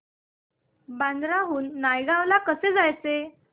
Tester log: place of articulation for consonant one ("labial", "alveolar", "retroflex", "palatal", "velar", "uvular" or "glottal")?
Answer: labial